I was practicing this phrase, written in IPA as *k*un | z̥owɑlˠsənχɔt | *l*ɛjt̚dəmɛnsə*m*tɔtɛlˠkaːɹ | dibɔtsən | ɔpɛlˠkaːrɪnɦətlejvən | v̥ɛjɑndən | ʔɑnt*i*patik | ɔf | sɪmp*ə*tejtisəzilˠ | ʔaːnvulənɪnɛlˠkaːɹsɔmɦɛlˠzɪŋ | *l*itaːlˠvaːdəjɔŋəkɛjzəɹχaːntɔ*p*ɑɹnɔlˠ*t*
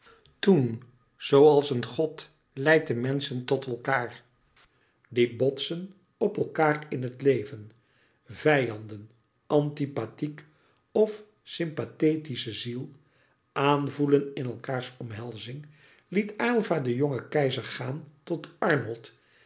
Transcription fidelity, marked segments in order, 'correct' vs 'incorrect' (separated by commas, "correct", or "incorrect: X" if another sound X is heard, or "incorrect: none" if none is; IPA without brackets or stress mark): incorrect: t, correct, incorrect: n, correct, incorrect: a, correct, incorrect: t, correct